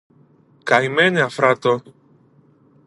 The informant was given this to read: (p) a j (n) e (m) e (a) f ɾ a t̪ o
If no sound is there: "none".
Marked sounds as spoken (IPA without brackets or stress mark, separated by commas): k, m, n, a